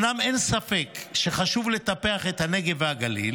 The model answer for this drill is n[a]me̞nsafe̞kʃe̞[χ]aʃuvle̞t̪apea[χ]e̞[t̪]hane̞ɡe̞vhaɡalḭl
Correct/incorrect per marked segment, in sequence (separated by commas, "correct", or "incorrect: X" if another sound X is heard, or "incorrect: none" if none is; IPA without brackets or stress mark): correct, correct, correct, correct